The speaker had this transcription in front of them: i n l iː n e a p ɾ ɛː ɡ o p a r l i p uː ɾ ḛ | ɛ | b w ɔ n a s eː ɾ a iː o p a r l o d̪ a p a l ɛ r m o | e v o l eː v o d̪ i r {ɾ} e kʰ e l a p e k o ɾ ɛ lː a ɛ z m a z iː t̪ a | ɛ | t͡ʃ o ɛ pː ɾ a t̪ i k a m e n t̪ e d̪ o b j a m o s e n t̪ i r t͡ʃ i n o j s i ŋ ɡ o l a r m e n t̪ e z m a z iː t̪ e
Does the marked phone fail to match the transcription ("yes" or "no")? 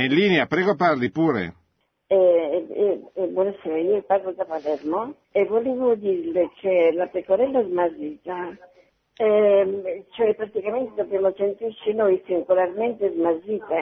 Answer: yes